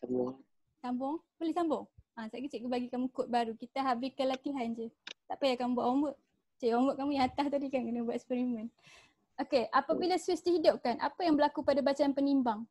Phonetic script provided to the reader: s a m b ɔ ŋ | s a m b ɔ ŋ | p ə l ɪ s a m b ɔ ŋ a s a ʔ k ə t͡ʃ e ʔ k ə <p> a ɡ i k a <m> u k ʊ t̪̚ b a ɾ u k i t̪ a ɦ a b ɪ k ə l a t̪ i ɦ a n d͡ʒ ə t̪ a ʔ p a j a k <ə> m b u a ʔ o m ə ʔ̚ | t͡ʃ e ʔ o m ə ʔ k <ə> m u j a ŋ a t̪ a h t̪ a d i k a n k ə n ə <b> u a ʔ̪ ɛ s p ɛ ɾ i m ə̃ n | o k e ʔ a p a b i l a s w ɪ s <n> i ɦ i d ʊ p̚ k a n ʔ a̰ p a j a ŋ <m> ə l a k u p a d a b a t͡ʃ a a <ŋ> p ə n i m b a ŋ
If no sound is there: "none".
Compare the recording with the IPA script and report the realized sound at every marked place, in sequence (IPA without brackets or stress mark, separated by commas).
b, m, a, a, b, d, b, n